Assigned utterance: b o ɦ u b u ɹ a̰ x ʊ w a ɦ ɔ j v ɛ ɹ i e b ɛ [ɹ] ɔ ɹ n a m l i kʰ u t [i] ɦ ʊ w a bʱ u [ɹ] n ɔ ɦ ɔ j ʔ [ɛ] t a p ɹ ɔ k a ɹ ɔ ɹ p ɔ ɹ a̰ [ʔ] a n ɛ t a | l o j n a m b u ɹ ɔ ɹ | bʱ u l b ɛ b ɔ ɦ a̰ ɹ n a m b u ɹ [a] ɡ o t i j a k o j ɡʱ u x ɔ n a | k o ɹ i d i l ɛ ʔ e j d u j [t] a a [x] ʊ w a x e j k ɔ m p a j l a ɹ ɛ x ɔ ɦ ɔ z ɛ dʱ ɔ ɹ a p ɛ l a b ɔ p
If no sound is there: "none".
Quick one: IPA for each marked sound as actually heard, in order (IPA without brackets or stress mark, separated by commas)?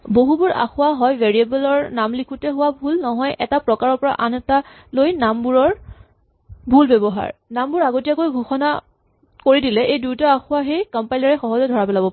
l, ɛ, l, ɛ, ʔ, a, t, x